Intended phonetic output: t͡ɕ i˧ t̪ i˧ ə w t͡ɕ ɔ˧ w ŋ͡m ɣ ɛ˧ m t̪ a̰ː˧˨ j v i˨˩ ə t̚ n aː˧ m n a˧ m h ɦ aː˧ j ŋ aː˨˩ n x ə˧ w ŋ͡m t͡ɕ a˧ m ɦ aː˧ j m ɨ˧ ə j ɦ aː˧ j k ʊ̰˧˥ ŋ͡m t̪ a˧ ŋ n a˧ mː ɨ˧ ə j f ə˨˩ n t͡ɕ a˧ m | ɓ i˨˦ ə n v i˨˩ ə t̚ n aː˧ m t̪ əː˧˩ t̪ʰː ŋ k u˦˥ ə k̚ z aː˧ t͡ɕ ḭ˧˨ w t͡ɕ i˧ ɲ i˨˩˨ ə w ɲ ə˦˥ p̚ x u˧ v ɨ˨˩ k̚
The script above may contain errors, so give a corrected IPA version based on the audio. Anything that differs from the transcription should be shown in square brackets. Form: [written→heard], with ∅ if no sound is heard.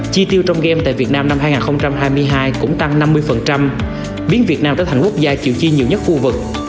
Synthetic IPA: t͡ɕ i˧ t̪ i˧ ə w t͡ɕ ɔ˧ w ŋ͡m ɣ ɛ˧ m t̪ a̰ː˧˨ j v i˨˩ ə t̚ n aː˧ m n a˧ m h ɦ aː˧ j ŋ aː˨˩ n x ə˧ w ŋ͡m t͡ɕ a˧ m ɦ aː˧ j m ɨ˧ ə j ɦ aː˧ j k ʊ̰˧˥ ŋ͡m t̪ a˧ ŋ n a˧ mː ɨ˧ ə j f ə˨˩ n t͡ɕ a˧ m | ɓ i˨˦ ə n v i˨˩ ə t̚ n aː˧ m t̪ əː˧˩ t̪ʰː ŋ k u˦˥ ə k̚ z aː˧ t͡ɕ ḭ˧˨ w t͡ɕ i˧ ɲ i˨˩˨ ə w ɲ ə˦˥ [p̚→t̚] x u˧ v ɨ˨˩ k̚